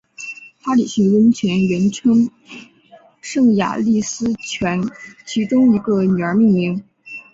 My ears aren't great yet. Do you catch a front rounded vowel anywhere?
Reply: yes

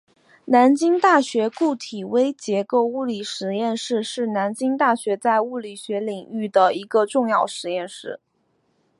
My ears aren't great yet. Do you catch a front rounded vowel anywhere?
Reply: yes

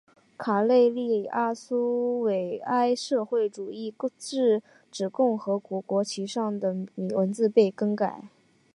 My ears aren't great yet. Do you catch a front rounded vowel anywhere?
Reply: no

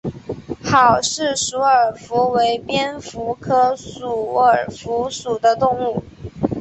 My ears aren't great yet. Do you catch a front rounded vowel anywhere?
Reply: no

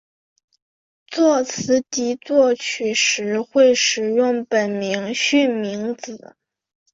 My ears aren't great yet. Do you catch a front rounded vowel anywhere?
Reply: yes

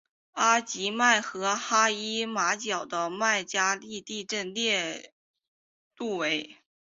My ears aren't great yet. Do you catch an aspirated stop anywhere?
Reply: no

